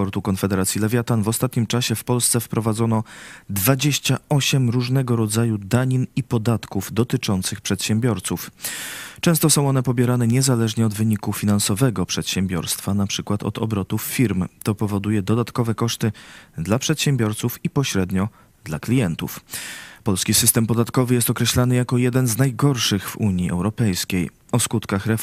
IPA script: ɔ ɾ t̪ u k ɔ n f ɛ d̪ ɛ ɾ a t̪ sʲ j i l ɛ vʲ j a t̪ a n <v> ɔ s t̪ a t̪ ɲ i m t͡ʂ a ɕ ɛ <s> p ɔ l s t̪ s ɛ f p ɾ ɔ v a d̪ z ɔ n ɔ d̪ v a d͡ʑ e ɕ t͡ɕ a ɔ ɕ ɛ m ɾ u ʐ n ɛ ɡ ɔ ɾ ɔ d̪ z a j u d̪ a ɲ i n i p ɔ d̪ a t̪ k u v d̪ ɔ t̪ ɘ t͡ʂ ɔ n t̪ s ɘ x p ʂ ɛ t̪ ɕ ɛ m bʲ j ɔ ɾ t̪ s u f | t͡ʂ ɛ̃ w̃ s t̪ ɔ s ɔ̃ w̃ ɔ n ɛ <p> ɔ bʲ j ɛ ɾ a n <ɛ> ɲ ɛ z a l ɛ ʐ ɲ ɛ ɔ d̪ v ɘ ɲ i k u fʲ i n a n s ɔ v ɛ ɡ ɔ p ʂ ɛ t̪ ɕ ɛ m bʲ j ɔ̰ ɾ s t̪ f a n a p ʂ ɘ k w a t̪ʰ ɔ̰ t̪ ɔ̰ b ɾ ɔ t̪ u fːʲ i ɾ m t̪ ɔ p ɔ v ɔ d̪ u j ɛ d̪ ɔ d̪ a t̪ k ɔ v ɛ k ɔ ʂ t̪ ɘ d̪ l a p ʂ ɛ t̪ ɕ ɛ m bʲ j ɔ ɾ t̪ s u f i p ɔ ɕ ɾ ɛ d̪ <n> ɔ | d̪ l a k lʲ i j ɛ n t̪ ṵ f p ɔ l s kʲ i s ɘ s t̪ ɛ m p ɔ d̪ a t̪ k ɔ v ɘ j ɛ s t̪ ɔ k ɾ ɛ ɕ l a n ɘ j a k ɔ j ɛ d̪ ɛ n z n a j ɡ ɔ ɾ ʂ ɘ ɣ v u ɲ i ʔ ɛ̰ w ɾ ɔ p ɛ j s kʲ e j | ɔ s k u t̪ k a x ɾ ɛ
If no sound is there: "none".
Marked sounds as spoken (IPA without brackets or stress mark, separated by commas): v, f, p, ɛ, ɲ